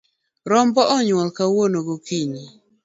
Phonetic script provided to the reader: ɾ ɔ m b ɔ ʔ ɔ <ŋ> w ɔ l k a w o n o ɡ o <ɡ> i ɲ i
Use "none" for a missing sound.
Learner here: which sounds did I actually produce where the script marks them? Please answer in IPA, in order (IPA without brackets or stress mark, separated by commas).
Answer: ɲ, k